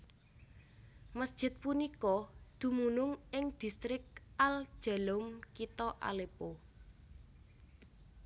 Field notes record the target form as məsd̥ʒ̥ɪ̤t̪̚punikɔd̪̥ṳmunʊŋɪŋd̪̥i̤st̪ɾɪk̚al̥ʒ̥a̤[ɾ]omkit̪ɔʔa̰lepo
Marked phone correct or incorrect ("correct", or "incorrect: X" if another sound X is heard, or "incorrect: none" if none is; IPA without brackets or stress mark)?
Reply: incorrect: l